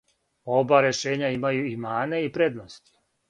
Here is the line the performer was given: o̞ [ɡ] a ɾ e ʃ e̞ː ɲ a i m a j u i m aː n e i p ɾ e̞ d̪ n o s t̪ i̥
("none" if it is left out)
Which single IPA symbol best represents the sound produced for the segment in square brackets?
b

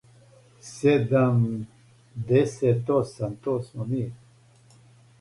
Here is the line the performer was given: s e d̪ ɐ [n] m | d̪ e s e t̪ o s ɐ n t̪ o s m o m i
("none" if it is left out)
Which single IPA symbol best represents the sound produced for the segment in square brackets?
none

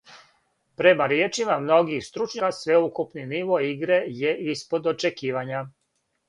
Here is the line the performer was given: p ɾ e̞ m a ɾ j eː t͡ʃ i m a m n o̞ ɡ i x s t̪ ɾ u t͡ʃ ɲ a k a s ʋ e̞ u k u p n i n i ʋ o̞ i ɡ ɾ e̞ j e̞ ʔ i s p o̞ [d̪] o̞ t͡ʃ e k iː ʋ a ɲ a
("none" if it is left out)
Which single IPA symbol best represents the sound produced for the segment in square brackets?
d̪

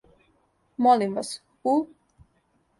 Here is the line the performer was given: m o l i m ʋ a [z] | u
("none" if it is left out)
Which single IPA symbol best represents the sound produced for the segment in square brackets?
s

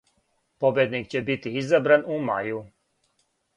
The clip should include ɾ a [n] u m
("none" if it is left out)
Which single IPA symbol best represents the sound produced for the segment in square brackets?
n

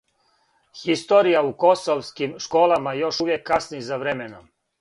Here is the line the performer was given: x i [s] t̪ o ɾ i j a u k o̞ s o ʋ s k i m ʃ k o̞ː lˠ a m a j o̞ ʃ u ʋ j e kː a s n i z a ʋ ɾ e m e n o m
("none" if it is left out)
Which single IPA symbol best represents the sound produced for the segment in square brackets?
s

